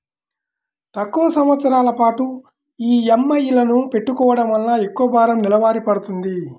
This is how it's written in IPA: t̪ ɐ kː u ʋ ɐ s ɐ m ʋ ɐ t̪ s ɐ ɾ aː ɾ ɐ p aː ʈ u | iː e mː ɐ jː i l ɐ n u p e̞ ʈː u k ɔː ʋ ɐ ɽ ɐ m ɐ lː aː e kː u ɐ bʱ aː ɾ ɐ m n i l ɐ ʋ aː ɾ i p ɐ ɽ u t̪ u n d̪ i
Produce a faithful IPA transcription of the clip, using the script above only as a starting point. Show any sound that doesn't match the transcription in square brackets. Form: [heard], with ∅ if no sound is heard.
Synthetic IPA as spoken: t̪ ɐ kː u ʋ ɐ s ɐ m ʋ ɐ t̪ s ɐ ɾ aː [l] ɐ p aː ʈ u | iː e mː ɐ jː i l ɐ n u p e̞ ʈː u k ɔː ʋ ɐ ɽ ɐ m ɐ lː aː e kː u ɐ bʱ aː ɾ ɐ m n i l ɐ ʋ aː ɾ i p ɐ ɽ u t̪ u n d̪ i